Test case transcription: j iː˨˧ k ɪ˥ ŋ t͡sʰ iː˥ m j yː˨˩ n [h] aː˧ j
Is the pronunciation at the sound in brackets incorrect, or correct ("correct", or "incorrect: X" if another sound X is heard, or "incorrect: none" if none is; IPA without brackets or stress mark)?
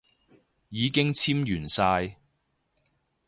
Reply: incorrect: s